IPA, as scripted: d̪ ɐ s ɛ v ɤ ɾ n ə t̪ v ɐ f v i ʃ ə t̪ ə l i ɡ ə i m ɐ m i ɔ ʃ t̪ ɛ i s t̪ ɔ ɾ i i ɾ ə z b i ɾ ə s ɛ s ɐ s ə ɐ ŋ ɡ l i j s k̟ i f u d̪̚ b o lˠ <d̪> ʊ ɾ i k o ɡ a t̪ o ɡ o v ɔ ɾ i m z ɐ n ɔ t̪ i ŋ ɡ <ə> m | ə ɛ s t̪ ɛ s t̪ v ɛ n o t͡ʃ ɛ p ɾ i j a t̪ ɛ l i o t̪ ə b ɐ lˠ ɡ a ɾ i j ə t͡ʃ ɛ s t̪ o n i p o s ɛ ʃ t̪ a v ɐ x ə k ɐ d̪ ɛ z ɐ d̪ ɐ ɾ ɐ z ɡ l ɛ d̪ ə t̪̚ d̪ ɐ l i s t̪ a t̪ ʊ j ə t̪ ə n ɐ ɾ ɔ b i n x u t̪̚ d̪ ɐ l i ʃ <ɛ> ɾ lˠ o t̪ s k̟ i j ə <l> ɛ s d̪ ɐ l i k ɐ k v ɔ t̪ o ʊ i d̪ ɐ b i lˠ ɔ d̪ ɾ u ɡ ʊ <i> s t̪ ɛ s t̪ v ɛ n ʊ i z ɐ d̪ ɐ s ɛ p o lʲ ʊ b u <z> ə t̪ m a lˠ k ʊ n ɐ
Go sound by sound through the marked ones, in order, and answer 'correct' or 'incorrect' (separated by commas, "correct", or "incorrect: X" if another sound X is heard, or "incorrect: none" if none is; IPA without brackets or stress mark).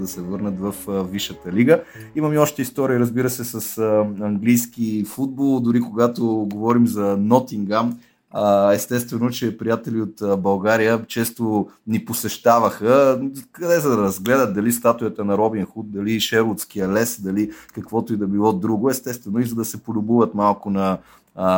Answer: correct, incorrect: a, correct, correct, incorrect: ɛ, incorrect: v